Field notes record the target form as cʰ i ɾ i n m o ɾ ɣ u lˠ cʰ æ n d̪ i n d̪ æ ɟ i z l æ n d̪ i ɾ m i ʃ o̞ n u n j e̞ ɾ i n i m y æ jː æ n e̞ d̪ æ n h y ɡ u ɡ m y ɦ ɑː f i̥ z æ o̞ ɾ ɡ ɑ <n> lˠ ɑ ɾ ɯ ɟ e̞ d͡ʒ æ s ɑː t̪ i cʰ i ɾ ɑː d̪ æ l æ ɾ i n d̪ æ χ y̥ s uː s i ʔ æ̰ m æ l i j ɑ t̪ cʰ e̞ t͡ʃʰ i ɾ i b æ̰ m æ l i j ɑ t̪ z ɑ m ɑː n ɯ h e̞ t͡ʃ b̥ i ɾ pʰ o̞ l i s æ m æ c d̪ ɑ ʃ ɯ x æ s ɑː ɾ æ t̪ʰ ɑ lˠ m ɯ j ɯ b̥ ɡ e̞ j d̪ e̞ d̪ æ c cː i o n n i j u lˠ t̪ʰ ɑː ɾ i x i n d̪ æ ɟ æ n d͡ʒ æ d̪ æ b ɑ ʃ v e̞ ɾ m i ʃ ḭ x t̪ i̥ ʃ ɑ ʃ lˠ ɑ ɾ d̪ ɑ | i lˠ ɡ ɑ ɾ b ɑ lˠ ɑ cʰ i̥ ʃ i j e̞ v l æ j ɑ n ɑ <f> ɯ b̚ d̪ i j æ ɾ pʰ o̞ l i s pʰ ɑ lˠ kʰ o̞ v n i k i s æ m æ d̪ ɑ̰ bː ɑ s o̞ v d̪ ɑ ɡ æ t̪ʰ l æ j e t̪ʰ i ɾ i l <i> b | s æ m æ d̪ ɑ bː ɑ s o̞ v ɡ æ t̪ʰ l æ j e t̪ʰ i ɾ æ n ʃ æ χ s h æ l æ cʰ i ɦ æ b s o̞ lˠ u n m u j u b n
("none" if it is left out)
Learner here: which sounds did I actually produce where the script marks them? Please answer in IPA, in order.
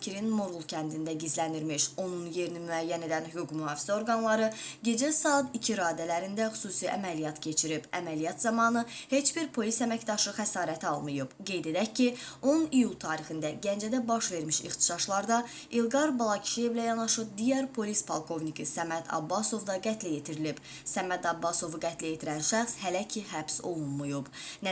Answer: n, ʃ, i

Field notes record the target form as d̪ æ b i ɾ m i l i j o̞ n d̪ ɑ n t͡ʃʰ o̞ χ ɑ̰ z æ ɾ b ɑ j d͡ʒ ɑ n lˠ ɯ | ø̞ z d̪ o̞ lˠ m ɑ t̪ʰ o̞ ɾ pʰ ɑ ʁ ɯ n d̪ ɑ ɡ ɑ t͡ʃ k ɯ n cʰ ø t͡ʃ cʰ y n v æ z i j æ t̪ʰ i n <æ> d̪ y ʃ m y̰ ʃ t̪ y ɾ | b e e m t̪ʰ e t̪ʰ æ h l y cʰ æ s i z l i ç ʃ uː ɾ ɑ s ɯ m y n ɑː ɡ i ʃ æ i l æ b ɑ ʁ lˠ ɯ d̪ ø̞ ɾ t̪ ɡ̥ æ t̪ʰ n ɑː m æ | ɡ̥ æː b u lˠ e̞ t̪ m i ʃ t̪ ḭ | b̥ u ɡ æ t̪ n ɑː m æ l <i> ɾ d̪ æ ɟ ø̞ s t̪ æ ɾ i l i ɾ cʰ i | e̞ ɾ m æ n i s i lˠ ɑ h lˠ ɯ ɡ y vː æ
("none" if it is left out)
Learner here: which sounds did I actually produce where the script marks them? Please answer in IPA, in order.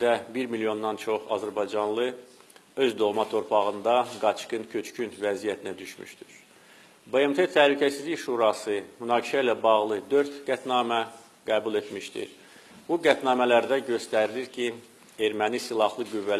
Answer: æ, æ

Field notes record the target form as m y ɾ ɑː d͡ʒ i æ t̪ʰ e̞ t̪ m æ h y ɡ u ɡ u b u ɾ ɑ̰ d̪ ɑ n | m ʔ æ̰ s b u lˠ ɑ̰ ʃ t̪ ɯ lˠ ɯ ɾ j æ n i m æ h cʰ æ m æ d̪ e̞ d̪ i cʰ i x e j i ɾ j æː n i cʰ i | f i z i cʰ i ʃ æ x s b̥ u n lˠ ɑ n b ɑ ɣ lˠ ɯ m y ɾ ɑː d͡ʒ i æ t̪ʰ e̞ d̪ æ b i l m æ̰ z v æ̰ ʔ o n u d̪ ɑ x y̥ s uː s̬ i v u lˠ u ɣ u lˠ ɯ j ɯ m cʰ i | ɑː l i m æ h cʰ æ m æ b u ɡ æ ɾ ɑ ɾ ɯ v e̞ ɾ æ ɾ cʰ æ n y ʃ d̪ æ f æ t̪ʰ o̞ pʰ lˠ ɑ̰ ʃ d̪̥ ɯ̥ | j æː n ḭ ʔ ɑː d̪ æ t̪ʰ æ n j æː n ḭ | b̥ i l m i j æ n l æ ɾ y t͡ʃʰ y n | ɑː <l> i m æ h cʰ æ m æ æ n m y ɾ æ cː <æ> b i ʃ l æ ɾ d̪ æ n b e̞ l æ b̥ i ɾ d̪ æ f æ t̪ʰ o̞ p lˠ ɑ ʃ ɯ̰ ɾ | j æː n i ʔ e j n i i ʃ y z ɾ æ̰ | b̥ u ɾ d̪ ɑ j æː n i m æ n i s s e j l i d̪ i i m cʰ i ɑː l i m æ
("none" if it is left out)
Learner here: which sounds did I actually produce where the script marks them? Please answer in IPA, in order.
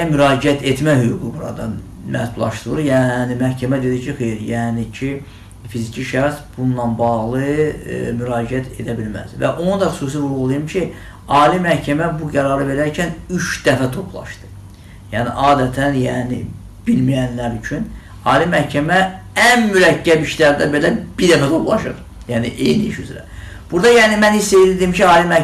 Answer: l, æ

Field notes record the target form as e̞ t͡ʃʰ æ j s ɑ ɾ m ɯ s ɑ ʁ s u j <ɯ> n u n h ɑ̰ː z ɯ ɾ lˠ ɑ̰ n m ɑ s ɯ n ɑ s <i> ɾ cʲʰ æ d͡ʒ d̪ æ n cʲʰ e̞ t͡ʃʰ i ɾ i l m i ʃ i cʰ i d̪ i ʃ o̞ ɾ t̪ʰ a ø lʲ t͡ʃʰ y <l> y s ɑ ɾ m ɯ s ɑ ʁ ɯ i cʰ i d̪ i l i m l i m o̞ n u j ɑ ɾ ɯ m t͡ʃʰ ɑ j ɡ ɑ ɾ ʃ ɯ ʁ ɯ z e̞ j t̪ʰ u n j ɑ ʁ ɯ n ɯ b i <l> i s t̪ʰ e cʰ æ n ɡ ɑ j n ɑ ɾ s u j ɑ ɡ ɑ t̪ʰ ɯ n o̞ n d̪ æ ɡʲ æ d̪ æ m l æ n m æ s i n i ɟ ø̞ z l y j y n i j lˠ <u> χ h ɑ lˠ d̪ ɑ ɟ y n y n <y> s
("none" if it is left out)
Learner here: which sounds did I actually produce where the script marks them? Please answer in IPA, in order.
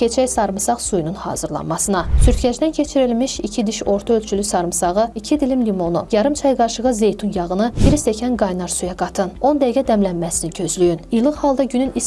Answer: u, y, l, ɾ, ɯ, i

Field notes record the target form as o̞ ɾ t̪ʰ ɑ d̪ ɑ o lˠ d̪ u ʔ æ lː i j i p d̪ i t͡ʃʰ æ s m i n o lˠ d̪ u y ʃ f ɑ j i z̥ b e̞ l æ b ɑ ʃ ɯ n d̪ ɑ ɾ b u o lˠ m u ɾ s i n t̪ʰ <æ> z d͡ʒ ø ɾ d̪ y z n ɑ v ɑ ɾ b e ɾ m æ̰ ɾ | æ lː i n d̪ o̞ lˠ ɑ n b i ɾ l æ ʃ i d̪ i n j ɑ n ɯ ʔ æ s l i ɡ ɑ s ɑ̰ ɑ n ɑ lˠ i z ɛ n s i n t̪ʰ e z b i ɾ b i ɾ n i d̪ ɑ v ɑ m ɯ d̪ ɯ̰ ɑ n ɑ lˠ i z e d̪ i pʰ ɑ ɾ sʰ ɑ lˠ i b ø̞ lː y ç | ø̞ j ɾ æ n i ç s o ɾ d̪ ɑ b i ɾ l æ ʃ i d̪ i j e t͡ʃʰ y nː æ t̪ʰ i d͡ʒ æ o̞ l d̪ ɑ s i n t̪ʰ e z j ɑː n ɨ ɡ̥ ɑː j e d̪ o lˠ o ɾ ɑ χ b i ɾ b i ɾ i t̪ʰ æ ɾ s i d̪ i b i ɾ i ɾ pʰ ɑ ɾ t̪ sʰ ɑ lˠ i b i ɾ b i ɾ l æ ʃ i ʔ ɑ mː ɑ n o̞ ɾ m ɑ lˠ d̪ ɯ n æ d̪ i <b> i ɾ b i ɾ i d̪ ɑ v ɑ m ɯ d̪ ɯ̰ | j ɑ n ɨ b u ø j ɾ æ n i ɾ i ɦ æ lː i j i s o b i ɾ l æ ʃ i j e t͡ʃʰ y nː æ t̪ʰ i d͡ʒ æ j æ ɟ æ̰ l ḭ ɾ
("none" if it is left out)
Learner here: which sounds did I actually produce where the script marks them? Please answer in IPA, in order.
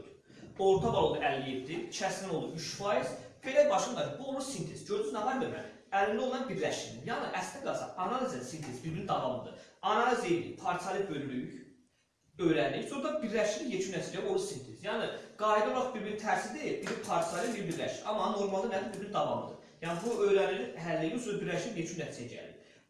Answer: e, b

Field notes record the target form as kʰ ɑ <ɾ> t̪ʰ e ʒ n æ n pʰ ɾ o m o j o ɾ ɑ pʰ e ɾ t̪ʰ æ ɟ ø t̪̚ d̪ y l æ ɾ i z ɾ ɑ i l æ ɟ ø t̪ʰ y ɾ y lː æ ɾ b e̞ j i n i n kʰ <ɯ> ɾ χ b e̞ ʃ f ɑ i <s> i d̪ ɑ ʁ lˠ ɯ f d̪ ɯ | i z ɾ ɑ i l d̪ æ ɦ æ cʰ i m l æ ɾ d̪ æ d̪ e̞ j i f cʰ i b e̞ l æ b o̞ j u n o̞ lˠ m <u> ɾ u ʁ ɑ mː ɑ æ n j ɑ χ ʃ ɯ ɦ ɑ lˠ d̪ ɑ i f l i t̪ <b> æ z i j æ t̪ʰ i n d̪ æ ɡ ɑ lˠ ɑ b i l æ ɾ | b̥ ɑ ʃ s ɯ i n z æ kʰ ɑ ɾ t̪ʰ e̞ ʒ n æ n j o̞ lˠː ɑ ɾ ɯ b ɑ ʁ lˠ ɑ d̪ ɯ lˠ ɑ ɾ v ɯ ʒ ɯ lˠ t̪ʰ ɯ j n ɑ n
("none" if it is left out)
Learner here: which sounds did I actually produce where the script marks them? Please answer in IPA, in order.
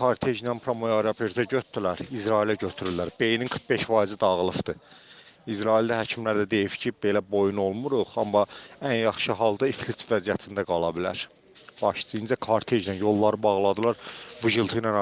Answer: ɾ, ɯ, z, u, v

